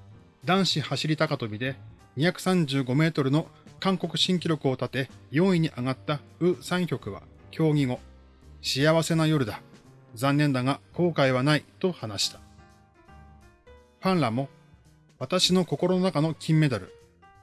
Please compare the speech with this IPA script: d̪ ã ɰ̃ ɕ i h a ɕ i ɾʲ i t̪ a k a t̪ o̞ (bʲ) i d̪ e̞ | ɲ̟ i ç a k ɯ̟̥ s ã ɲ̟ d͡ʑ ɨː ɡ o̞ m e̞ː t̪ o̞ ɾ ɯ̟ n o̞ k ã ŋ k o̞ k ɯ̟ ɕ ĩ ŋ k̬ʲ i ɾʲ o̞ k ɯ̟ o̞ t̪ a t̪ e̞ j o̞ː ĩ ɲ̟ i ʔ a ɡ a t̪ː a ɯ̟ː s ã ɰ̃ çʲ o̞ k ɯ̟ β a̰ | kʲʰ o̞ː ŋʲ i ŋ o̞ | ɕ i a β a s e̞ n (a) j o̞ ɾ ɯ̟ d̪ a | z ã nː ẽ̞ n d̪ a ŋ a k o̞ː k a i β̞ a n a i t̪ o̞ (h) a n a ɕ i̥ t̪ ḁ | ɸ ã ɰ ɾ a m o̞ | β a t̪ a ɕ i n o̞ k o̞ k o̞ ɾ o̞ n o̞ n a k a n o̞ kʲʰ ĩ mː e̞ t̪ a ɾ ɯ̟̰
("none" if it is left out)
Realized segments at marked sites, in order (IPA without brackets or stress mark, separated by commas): bʲ, a, h